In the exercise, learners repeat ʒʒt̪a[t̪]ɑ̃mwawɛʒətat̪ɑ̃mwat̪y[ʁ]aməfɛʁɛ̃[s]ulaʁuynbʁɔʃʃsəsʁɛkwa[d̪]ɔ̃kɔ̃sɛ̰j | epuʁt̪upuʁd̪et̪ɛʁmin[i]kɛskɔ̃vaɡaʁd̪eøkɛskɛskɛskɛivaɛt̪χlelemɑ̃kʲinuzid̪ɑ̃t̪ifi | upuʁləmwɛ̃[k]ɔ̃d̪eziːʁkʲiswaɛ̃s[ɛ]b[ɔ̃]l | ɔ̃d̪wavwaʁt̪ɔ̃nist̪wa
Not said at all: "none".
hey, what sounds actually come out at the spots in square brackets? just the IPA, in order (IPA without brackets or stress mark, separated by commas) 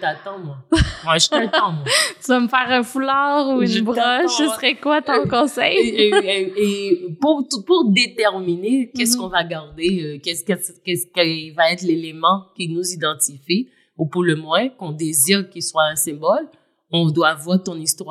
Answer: t̪, v, f, t̪, e, k, ɛ̃, ɔ